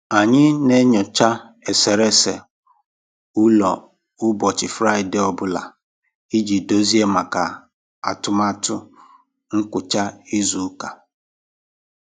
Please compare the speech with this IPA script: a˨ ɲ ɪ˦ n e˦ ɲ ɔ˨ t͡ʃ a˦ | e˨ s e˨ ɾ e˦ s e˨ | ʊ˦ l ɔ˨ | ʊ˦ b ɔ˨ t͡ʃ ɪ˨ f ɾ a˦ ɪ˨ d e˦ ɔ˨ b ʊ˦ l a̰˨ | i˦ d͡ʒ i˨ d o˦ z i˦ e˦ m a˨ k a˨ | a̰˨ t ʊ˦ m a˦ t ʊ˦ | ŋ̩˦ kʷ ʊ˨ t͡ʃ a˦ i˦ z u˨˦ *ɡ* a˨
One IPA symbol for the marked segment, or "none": k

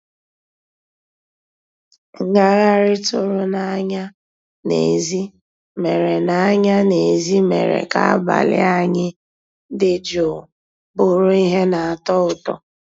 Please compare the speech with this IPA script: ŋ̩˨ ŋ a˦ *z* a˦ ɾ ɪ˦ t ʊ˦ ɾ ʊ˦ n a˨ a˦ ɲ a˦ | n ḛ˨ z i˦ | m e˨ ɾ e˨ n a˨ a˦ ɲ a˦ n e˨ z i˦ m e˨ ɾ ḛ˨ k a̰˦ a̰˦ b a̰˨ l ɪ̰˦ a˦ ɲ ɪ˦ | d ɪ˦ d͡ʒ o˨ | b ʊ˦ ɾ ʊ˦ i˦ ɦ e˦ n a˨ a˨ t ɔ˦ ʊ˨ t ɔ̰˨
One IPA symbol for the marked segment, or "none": ɣ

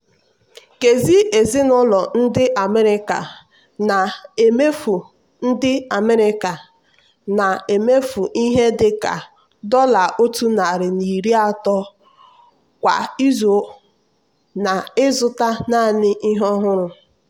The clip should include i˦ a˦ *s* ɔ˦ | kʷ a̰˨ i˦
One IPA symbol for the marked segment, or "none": t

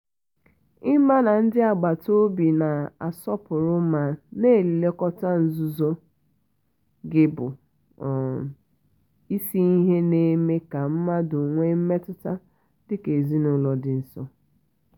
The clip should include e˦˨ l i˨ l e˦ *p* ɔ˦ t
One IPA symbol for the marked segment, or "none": k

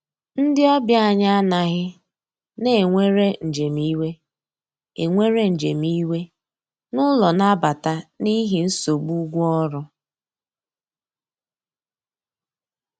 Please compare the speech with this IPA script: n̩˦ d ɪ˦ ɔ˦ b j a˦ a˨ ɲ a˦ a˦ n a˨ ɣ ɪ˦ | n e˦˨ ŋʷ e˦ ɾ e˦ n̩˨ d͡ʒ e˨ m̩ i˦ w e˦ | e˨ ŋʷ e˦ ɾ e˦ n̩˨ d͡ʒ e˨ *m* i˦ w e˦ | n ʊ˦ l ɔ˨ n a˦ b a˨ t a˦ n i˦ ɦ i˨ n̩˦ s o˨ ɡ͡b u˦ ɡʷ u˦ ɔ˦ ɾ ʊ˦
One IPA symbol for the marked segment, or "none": m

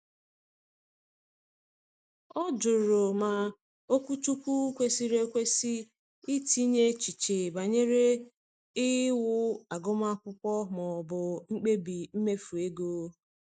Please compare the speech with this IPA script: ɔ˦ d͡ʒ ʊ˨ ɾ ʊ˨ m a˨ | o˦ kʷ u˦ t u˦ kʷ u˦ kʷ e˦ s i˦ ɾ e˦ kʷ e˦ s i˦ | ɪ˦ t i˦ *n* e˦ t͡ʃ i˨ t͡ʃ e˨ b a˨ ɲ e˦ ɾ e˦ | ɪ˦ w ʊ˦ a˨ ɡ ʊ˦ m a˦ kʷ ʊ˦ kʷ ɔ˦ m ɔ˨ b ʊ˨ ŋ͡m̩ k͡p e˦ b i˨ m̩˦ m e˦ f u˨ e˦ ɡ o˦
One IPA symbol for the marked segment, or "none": ɲ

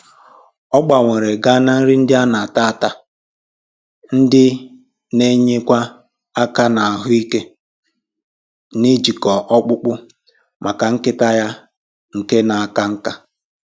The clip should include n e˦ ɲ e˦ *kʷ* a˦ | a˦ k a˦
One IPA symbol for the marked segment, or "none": kʷ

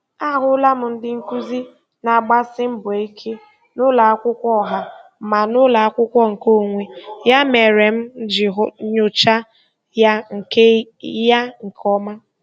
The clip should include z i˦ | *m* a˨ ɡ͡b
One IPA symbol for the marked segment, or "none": n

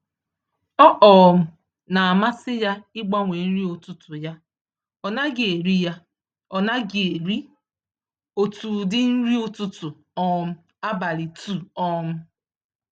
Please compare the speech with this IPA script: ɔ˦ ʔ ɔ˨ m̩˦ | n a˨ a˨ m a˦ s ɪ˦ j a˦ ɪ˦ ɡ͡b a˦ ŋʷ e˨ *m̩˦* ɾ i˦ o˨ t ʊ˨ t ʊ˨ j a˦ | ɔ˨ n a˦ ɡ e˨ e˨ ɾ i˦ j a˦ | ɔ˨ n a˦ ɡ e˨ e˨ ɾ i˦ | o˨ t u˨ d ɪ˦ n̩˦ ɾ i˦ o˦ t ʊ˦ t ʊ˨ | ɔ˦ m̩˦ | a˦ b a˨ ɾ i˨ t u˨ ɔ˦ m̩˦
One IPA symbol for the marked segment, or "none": n̩˦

